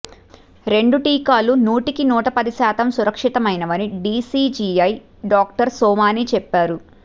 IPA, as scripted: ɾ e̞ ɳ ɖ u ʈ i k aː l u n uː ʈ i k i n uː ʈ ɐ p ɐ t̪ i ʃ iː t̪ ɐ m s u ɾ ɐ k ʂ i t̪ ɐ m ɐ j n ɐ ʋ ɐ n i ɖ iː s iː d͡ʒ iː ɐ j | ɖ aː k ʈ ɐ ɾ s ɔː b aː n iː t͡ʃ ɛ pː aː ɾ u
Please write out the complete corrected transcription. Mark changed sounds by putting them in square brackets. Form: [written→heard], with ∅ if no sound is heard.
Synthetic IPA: ɾ e̞ ɳ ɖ u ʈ [i→iː] k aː l u n uː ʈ i k i n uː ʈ ɐ p ɐ [t̪→d̪] i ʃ [iː→aː] t̪ ɐ m s u ɾ ɐ k ʂ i t̪ ɐ m ɐ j n ɐ ʋ ɐ n i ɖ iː s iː d͡ʒ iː ɐ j | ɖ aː k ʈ ɐ ɾ s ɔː [b→m] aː n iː t͡ʃ ɛ pː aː ɾ u